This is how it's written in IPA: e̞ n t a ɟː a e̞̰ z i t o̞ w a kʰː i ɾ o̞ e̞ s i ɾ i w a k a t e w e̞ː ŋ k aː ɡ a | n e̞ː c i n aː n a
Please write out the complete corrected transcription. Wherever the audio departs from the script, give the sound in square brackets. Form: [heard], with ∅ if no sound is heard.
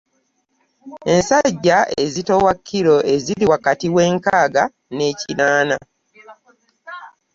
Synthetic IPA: e̞ n [s] a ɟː a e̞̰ z i t o̞ w a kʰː i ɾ o̞ e̞ [z] i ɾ i w a k a t [i] w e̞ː ŋ k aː ɡ a | n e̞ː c i n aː n a